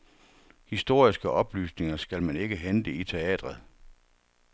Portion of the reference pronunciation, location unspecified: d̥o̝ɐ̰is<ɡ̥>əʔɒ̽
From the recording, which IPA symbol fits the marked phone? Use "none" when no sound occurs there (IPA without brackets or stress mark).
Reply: ɡ̥